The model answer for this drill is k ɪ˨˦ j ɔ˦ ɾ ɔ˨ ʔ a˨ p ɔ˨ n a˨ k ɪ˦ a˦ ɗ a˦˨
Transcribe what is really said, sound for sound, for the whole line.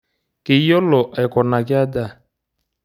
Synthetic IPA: k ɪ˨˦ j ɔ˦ l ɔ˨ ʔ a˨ k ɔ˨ n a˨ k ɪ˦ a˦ d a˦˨